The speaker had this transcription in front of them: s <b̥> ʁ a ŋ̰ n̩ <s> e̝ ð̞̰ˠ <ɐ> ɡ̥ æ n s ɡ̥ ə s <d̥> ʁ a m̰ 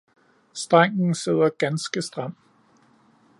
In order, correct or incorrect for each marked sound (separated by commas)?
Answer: incorrect, correct, correct, correct